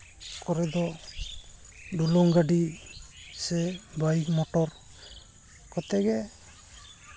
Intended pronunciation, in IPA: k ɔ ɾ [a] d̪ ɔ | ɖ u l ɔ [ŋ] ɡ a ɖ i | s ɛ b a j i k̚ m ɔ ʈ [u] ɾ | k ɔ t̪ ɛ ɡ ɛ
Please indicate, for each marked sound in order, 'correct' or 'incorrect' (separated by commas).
incorrect, correct, incorrect